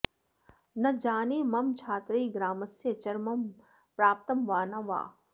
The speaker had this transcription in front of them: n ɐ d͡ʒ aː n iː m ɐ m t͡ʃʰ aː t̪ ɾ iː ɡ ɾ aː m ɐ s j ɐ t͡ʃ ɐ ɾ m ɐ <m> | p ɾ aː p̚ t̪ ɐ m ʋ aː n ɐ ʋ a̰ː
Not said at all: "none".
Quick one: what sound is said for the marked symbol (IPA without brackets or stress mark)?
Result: m